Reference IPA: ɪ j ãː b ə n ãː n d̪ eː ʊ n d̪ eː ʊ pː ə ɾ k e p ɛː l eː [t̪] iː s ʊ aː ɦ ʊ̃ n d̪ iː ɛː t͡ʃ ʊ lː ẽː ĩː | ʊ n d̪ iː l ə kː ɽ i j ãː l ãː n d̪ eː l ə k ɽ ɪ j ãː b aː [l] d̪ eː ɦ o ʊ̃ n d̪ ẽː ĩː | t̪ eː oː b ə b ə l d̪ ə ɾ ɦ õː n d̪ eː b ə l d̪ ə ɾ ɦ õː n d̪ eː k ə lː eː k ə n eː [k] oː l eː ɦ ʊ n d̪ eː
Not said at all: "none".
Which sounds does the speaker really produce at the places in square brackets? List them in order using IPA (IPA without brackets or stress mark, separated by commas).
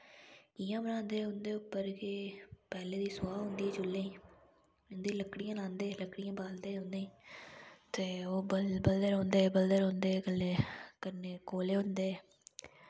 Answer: d̪, l, k